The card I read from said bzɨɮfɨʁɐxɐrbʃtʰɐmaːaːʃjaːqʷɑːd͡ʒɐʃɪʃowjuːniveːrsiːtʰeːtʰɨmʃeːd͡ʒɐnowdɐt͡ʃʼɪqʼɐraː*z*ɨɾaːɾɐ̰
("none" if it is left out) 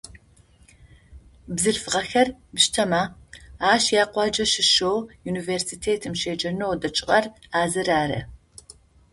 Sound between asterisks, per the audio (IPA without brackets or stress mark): z